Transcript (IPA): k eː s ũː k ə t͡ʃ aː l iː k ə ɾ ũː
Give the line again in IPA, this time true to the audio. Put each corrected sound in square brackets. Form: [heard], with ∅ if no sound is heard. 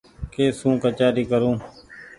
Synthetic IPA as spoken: k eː s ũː k ə t͡ʃ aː [ɾ] iː k ə ɾ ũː

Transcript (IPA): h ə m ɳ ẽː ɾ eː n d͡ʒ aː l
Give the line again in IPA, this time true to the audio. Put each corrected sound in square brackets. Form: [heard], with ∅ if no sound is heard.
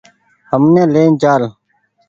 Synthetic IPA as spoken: h ə m [n] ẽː [l] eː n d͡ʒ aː l

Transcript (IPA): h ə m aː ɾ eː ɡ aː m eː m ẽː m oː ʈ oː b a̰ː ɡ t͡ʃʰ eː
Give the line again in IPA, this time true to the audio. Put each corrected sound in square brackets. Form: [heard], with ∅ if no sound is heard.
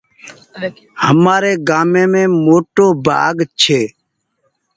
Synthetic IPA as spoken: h ə m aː ɾ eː ɡ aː m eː m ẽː m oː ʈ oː b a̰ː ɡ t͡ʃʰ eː

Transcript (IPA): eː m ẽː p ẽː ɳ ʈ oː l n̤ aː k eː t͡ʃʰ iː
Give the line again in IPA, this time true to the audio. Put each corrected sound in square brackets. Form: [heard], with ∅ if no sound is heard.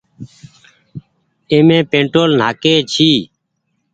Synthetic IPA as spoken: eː m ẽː p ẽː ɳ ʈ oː l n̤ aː k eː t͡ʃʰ iː

